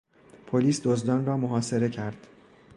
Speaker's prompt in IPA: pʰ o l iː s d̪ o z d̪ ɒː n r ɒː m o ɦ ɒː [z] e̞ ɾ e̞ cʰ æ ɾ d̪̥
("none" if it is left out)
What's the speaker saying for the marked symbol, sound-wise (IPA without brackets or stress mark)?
s